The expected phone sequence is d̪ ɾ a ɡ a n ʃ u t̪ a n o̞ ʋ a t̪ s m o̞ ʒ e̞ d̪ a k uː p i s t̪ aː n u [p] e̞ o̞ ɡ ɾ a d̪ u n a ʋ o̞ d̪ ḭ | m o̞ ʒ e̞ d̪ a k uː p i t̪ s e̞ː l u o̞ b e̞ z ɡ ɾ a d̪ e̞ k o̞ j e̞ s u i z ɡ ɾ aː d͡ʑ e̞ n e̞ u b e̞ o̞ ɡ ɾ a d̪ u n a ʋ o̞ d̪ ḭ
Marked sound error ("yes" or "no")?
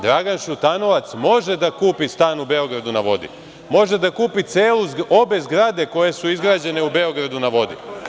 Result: yes